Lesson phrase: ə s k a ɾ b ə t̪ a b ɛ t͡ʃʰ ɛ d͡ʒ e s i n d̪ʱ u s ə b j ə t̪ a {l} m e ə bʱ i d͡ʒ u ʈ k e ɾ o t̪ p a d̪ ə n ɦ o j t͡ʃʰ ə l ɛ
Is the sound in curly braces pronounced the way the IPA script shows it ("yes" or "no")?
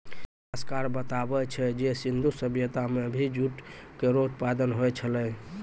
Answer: no